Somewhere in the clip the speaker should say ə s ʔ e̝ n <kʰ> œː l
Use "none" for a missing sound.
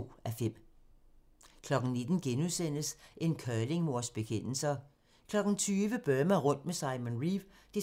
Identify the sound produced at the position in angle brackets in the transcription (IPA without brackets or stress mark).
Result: kʰ